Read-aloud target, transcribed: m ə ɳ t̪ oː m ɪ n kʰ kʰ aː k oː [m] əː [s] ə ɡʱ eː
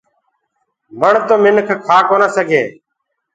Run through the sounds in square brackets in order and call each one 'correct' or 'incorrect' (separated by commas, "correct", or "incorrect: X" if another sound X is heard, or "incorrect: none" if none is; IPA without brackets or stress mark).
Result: incorrect: n, correct